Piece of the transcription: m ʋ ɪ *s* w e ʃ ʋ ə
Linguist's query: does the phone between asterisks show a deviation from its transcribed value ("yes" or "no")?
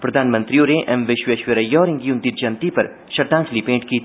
yes